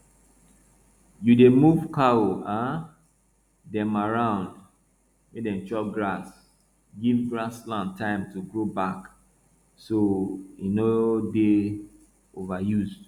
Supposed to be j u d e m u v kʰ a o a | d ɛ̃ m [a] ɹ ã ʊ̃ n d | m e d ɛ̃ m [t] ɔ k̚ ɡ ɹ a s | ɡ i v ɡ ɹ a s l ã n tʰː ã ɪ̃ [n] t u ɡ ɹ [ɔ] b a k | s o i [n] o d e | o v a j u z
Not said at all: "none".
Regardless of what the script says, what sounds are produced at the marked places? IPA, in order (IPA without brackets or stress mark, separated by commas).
a, t͡ʃ, m, o, n